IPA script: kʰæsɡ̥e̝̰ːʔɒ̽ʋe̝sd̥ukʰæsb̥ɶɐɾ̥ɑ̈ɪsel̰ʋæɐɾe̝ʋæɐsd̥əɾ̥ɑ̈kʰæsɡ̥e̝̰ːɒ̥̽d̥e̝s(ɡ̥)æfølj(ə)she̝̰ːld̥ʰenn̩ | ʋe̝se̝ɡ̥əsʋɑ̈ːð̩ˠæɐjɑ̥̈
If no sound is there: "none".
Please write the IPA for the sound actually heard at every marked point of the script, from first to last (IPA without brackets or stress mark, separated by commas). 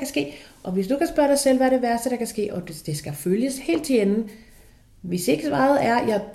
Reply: ɡ̥, ə